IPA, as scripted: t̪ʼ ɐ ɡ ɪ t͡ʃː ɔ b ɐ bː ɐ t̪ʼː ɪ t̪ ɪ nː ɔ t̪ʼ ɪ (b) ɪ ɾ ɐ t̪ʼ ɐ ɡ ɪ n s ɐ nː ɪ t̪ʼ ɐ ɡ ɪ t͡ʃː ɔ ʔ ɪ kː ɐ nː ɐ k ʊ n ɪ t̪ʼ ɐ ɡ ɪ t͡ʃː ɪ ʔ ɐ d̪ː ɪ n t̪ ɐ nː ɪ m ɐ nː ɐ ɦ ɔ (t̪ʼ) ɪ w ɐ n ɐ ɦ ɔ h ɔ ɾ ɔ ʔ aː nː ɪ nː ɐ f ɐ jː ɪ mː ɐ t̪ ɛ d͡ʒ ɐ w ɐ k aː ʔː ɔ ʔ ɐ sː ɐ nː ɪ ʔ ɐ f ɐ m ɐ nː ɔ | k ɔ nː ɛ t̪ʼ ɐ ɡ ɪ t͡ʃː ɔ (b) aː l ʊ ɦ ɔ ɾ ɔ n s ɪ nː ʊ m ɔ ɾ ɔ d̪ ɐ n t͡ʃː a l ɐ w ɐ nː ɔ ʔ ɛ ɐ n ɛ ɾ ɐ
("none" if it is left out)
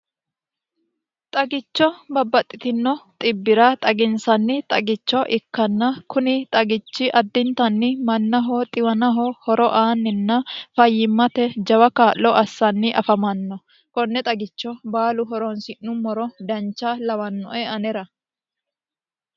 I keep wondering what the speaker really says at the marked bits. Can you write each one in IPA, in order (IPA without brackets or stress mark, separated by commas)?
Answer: bː, t̪ʼ, b